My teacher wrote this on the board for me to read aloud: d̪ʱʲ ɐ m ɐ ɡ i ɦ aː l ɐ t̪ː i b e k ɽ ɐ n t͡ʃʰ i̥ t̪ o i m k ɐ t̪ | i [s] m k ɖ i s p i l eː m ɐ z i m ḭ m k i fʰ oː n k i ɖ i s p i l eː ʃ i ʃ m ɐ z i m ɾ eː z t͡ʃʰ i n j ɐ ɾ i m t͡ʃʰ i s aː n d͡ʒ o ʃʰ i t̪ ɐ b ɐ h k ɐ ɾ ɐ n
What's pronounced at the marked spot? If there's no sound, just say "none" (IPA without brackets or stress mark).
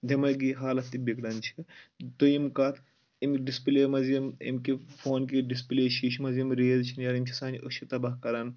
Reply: none